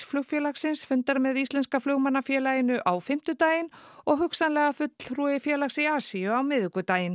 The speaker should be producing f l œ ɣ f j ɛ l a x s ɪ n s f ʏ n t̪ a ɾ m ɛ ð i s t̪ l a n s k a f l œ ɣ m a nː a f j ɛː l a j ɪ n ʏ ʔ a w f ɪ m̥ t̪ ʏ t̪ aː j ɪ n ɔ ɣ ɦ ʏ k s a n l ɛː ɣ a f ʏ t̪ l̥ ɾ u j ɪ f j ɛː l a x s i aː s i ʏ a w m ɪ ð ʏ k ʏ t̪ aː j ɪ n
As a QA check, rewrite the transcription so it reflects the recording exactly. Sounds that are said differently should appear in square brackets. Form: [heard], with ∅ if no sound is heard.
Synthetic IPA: f l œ ɣ f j ɛ l a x s ɪ n s f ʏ n t̪ a ɾ m ɛ ð i s t̪ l [ɛ] n s k a f l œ ɣ m a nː a f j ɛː l a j ɪ n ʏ ʔ a w f ɪ m̥ t̪ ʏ t̪ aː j ɪ n ɔ ɣ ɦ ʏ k s a n l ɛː ɣ a f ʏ t̪ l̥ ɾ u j ɪ f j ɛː l a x s i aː s i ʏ a w m ɪ ð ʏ k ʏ t̪ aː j ɪ n